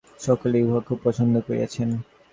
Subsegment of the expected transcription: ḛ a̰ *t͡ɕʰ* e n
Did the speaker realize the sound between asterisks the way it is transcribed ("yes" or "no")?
yes